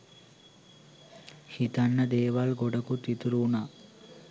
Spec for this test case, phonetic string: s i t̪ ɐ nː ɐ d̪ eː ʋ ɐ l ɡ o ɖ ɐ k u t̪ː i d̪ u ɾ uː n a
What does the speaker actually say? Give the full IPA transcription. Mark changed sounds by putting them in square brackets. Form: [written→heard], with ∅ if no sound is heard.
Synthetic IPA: [s→h] i t̪ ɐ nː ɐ d̪ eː ʋ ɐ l ɡ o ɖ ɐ k u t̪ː i [d̪→t̪] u ɾ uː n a